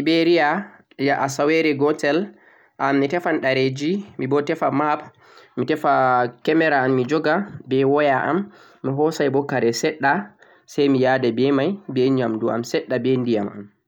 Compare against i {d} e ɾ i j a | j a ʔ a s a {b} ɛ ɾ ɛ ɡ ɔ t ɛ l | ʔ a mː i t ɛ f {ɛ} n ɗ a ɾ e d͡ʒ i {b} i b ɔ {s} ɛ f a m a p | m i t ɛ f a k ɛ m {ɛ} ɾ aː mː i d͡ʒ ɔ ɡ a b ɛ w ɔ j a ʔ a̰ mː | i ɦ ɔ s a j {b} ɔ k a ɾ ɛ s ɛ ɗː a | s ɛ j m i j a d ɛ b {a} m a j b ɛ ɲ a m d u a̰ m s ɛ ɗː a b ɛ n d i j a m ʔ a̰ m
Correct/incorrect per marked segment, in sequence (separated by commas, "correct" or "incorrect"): incorrect, incorrect, incorrect, incorrect, incorrect, correct, correct, incorrect